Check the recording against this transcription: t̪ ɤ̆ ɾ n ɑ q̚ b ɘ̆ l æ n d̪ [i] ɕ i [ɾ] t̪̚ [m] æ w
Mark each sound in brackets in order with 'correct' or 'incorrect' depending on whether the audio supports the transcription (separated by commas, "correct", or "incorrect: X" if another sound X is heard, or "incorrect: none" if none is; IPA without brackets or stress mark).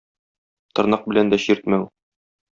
incorrect: æ, correct, correct